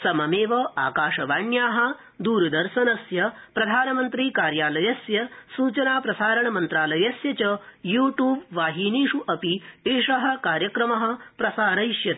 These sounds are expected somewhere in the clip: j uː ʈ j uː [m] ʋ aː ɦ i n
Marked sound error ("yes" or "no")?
yes